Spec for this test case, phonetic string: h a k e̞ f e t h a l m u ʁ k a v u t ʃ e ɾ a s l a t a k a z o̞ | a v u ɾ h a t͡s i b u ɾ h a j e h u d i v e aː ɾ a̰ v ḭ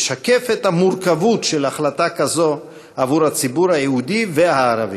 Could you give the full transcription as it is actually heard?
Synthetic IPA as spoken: ʃ a k e̞ f e t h a m u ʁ k a v u t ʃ e l a χ l a t a k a z o̞ | a v u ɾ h a t͡s i b u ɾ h a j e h u d i v e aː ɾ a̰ v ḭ